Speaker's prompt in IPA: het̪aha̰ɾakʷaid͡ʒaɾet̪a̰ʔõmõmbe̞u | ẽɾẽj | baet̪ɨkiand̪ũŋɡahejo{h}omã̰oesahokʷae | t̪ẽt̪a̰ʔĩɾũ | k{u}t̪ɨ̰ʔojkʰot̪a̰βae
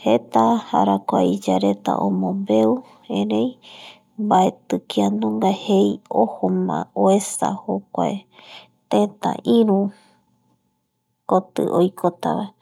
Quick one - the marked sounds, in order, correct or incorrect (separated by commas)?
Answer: correct, incorrect